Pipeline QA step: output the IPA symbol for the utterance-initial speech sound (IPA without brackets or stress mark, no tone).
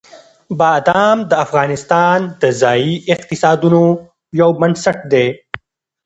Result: b